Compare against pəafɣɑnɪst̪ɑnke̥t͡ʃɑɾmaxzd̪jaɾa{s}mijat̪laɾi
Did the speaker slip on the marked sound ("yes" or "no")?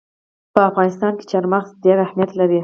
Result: yes